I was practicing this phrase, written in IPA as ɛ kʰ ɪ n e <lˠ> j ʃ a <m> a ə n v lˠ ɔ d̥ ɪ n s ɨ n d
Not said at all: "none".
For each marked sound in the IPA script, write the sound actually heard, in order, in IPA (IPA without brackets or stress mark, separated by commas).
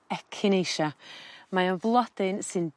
none, m